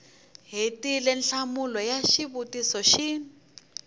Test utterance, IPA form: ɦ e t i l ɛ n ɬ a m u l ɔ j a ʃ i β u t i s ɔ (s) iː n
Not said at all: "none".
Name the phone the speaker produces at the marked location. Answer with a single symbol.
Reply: ʃ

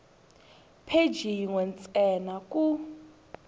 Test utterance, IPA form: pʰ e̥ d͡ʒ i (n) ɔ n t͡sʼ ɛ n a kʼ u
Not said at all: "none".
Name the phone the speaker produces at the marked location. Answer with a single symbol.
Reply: ŋ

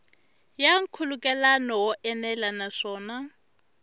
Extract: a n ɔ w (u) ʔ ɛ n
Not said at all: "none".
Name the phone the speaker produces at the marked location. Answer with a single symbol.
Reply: ɔ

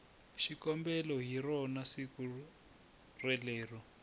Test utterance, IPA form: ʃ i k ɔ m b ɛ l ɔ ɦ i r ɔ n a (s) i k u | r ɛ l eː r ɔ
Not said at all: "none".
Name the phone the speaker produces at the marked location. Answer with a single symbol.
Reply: s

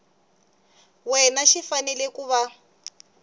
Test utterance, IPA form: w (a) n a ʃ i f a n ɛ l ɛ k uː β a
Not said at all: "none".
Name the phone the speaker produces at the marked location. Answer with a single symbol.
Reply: ɛ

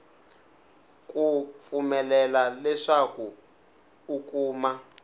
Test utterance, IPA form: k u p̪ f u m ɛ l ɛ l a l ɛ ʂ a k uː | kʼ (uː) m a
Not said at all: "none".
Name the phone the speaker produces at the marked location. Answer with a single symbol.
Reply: uː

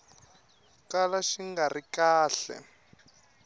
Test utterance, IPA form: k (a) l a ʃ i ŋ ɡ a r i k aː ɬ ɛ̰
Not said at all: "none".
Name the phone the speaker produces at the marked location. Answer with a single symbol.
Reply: a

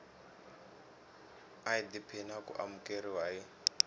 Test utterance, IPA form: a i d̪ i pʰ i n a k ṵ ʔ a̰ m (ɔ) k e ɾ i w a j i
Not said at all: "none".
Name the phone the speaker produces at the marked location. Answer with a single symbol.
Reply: u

